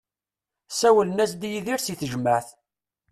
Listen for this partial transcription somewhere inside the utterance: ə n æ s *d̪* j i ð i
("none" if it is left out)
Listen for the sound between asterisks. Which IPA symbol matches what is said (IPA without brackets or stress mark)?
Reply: d̪